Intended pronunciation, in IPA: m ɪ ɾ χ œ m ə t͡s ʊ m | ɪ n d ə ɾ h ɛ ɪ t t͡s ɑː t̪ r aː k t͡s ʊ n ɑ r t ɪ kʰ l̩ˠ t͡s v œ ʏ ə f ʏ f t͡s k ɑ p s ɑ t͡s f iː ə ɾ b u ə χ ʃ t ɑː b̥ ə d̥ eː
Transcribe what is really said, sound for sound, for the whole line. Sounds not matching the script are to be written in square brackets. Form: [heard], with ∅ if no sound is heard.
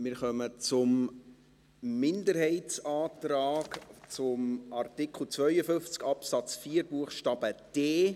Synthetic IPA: m ɪ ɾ χ œ m ə t͡s ʊ m | ɪ n d ə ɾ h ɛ ɪ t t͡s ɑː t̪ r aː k t͡s ʊ [m] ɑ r t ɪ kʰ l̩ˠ t͡s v œ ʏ ə f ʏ f t͡s k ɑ p s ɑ t͡s f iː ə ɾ b u ə χ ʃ t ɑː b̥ ə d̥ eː